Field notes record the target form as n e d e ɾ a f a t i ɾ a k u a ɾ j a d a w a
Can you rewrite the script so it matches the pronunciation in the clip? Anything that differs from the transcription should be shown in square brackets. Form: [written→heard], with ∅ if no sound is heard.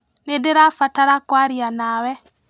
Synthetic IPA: n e d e ɾ a f a t [i→a] ɾ a k [u→w] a ɾ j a [d→n] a w [a→ɛ]